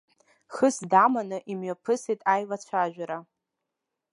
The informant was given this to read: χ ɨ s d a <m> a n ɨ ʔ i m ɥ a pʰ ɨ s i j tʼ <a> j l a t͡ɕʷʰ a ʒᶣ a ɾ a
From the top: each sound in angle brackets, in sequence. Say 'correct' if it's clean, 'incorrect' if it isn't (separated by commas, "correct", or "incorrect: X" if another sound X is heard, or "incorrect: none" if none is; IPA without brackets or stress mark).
correct, correct